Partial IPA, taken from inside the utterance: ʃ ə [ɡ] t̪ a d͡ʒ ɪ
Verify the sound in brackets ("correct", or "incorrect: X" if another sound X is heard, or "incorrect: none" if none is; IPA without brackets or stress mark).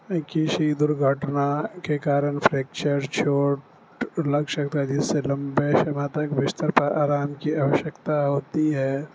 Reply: incorrect: k